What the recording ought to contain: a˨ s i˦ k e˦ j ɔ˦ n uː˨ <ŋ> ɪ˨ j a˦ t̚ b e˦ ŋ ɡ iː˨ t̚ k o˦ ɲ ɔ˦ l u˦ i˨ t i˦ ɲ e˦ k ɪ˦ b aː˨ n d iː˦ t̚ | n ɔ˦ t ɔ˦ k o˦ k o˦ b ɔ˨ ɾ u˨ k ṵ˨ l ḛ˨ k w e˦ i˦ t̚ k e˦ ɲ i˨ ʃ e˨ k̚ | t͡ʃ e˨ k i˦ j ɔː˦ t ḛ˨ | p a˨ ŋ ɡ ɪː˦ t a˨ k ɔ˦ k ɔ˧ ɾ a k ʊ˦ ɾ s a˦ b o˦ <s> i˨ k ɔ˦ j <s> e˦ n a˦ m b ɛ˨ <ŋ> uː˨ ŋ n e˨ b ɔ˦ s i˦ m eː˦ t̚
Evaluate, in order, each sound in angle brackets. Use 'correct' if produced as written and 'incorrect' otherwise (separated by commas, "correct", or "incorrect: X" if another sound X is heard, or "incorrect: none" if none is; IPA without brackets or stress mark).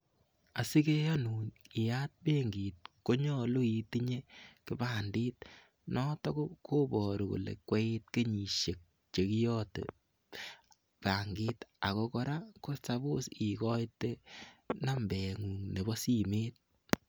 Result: incorrect: n, correct, incorrect: t, correct